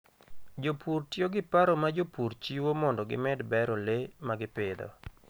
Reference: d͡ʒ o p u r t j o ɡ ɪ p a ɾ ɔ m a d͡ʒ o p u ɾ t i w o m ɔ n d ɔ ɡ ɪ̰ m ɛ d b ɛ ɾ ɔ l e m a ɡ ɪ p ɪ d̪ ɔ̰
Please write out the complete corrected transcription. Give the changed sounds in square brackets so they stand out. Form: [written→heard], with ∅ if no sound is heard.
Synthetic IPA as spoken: d͡ʒ o p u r t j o ɡ ɪ p a ɾ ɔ m a d͡ʒ o p u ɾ [t→t͡ʃ] i w o m ɔ n d ɔ ɡ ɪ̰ m ɛ d b ɛ ɾ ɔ l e m a ɡ ɪ p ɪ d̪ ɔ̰